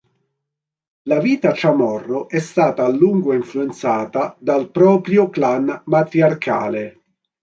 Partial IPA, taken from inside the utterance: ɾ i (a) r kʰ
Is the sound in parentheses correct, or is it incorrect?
correct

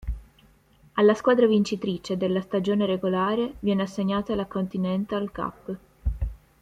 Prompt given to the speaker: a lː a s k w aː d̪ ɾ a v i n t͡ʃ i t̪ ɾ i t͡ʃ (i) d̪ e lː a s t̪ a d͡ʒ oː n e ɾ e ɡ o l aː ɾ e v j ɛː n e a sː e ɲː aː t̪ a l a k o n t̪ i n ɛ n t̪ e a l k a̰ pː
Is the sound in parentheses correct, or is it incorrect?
incorrect: e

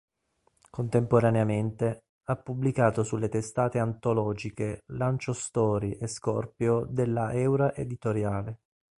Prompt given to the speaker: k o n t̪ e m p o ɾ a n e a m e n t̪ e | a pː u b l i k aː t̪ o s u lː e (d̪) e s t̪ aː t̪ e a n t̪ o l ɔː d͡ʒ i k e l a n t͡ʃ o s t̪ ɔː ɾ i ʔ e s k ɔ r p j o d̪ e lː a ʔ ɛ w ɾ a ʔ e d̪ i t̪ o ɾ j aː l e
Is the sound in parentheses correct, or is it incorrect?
incorrect: t̪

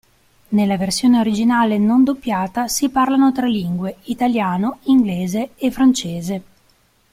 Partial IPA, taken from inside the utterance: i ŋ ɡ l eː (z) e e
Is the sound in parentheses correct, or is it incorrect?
correct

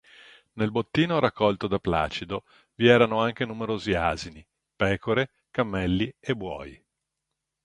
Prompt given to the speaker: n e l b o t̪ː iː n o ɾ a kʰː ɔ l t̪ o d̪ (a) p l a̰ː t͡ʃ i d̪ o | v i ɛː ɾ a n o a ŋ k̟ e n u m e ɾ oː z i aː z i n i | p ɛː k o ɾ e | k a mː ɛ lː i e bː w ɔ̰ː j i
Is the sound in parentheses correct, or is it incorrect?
correct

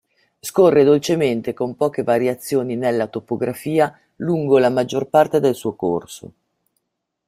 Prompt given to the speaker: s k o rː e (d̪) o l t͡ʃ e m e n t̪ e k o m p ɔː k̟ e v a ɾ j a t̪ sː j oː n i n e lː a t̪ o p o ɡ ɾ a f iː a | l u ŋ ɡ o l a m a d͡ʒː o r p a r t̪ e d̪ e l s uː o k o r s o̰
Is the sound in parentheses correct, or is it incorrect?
correct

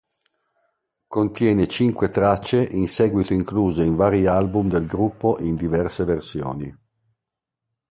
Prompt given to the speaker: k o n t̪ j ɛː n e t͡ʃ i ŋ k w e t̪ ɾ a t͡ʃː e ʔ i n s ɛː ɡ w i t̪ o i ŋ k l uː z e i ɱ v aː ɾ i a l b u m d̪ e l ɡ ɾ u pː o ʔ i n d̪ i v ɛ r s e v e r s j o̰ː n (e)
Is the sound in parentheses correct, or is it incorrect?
incorrect: i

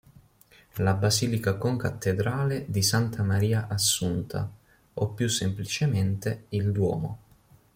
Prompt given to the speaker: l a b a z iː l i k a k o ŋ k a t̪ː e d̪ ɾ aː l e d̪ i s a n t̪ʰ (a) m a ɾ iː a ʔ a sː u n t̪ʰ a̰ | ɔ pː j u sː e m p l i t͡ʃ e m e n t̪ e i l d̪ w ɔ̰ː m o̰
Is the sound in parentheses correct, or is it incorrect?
correct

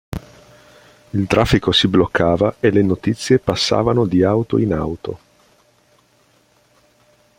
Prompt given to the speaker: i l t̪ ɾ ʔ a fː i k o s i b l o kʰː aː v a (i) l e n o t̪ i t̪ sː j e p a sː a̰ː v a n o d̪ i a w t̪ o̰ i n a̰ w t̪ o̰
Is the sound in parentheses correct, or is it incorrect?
incorrect: e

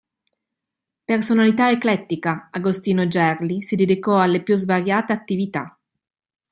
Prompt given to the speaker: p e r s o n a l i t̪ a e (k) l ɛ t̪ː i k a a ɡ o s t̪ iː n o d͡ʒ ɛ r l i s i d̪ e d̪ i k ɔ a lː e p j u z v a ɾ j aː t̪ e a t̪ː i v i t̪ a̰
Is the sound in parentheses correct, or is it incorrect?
correct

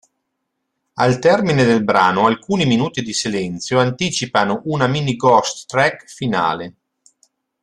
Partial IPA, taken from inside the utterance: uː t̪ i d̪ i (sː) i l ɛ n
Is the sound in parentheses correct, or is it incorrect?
incorrect: s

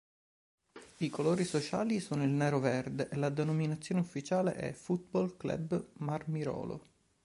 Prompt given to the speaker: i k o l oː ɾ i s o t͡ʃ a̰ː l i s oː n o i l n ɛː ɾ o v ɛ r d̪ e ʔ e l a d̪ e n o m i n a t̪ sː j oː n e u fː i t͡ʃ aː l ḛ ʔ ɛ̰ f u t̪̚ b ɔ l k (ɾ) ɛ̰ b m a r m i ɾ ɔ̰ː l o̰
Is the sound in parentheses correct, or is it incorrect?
incorrect: l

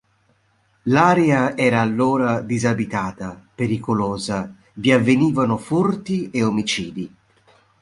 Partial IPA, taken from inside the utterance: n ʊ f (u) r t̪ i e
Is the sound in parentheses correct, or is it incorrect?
correct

